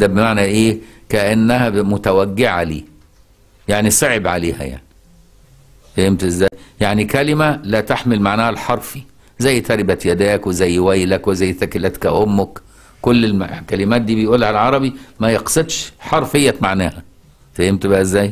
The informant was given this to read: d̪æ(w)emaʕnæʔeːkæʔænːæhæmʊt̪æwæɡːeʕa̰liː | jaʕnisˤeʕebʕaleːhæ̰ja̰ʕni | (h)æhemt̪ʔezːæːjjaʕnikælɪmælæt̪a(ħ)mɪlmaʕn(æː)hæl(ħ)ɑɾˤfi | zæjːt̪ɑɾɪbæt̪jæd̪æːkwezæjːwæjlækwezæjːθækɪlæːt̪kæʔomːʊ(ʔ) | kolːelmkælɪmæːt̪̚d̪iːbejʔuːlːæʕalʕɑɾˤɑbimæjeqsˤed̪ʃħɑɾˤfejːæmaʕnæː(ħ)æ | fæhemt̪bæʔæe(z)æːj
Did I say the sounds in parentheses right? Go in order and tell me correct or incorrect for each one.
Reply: incorrect, incorrect, correct, correct, correct, incorrect, incorrect, incorrect

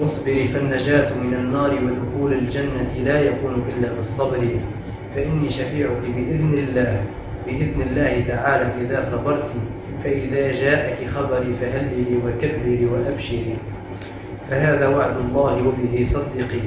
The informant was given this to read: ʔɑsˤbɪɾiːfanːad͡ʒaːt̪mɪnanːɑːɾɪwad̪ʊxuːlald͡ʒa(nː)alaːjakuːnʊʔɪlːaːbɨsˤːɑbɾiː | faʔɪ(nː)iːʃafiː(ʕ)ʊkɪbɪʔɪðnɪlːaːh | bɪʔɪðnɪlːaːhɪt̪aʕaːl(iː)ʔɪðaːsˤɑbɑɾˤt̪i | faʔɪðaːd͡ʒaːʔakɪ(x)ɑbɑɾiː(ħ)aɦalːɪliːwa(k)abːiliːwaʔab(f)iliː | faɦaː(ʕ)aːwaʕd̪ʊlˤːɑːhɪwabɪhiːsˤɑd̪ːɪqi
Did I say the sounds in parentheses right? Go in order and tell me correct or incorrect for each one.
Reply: correct, correct, correct, incorrect, correct, incorrect, correct, incorrect, incorrect

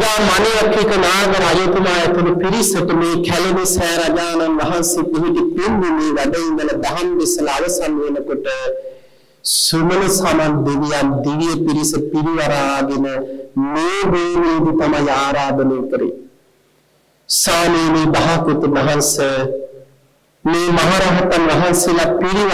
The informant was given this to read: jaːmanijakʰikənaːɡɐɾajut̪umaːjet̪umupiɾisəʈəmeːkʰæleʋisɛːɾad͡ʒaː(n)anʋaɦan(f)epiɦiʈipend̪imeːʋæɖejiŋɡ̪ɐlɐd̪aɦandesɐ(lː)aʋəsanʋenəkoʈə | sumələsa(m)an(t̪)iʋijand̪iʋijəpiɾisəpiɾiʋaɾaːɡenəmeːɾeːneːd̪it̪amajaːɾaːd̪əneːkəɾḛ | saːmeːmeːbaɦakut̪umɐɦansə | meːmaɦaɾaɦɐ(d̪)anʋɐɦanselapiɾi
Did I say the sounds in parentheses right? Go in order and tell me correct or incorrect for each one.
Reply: correct, incorrect, incorrect, correct, incorrect, incorrect

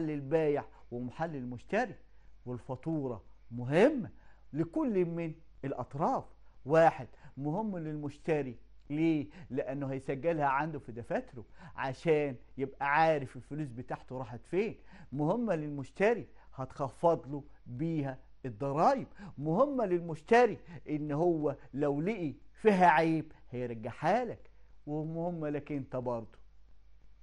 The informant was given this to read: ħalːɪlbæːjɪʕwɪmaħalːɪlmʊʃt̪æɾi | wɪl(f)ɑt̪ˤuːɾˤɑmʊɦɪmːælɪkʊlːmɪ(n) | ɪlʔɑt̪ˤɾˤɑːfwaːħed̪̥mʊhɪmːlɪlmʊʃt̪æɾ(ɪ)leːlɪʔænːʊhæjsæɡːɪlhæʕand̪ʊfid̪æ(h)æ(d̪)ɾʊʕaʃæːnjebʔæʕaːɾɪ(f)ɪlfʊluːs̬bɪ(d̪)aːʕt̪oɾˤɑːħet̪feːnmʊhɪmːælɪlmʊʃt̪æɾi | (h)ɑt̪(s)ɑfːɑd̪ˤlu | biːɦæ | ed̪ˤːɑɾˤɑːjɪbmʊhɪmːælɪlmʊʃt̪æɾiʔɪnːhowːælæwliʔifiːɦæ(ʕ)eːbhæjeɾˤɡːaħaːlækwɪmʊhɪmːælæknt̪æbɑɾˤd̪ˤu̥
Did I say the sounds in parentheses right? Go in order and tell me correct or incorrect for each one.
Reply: correct, correct, incorrect, incorrect, incorrect, correct, incorrect, correct, incorrect, correct

